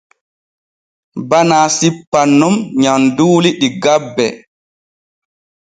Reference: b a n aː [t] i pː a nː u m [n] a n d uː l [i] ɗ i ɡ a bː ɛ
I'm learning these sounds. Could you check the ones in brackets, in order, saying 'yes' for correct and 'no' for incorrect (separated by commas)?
no, no, yes